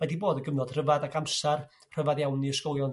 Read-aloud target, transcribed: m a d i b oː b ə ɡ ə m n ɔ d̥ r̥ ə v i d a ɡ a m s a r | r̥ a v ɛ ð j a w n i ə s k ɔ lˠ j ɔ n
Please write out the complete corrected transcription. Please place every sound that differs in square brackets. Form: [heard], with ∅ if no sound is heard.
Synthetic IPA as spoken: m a d i b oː [d] ə ɡ ə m n ɔ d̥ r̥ ə v [a] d a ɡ a m s a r | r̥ [ə] v [a] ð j a w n i ə s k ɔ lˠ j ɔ n

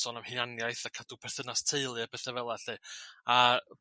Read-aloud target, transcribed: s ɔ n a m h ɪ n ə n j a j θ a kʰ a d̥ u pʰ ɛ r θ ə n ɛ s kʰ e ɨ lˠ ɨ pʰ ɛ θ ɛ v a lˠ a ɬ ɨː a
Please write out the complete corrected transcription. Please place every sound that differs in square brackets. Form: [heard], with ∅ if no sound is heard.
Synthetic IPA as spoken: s ɔ n a m h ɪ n [a] n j a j θ a kʰ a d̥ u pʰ ɛ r θ ə n [a] s [tʰ] e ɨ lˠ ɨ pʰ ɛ θ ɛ v [ɛ] lˠ a ɬ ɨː a

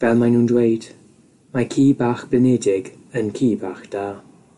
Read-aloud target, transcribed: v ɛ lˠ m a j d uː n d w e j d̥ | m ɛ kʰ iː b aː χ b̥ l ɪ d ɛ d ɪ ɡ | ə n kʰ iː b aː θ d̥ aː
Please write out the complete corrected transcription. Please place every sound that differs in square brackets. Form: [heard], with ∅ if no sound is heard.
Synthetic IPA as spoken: v ɛ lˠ m a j [n] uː n d w e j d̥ | m [a] kʰ iː b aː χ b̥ l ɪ [n] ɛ d ɪ ɡ | ə n kʰ iː b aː [χ] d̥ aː

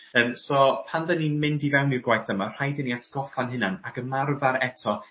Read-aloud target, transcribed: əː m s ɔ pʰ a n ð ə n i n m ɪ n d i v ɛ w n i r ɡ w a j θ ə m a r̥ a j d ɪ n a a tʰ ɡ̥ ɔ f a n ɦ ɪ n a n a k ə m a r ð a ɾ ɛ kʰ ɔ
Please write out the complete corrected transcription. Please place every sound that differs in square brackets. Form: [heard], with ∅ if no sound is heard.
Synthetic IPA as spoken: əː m s ɔ pʰ a n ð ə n i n m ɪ n d i v ɛ w n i r ɡ w a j θ ə m a r̥ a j d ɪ n [i] a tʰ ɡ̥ ɔ f a n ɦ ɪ n a n a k ə m a r [v] a ɾ ɛ [tʰ] ɔ

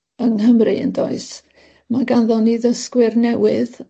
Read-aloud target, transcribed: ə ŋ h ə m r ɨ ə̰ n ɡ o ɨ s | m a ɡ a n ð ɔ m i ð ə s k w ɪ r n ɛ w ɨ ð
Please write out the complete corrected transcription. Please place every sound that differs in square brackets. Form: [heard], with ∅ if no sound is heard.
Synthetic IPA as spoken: ə ŋ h ə m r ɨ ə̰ n [d] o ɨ s | m a ɡ a n ð ɔ [n] i ð ə s k w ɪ r n ɛ w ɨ ð

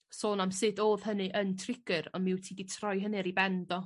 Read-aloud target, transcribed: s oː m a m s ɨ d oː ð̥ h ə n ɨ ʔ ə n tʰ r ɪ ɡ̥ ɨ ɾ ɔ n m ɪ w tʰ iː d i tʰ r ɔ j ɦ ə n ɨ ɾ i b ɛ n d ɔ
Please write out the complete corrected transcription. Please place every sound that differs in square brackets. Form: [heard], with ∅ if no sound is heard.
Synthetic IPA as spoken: s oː [n] a m s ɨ d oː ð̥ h ə n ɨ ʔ ə n tʰ r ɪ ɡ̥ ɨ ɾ ɔ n m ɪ w tʰ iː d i tʰ r ɔ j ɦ ə n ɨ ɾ i b ɛ n d ɔ

